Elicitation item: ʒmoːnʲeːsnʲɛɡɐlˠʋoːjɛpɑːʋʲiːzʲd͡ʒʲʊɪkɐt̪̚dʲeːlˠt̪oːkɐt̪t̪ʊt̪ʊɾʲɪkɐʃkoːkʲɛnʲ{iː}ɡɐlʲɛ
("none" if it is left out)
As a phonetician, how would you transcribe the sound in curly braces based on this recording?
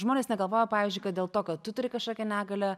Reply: æː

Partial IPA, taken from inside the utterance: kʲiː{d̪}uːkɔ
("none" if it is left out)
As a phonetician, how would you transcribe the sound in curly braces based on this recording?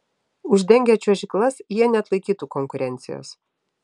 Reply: t̪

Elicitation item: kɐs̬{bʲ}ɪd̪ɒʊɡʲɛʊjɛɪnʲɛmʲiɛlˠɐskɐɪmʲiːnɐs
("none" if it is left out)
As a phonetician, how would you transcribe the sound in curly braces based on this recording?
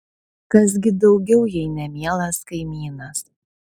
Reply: ɡʲ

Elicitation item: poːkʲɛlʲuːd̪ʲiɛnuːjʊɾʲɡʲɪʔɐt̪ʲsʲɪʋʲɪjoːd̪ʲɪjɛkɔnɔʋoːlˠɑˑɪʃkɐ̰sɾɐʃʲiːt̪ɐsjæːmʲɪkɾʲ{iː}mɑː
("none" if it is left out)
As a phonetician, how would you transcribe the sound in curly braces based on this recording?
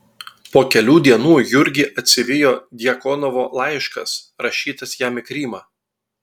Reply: iː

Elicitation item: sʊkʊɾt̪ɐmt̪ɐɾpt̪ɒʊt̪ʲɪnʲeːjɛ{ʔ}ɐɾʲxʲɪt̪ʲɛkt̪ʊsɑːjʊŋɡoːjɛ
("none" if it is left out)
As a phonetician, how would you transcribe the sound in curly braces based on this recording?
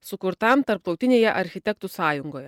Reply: ʔ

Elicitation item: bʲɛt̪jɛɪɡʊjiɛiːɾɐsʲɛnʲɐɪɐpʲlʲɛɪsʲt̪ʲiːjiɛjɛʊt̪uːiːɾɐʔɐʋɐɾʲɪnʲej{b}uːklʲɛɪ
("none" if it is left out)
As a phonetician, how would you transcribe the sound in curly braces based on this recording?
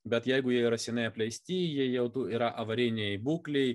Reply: b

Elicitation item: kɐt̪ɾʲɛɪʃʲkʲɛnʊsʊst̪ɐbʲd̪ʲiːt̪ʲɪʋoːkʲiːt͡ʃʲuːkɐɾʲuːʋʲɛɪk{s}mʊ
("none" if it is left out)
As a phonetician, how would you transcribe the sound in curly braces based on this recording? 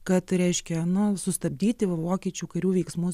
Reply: s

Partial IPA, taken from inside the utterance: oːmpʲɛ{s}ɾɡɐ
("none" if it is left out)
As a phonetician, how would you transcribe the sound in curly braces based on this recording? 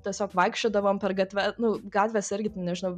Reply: none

